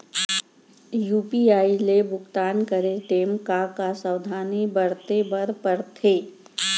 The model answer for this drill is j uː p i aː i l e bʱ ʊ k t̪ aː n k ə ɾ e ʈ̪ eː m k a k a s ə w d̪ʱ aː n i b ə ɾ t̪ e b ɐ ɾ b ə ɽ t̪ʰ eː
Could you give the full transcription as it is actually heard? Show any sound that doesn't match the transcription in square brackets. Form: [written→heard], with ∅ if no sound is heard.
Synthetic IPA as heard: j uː p i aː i l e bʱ ʊ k t̪ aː n k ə ɾ e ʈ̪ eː m k a k a s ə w d̪ʱ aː n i b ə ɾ t̪ e b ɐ ɾ [b→p] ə [ɽ→ɾ] t̪ʰ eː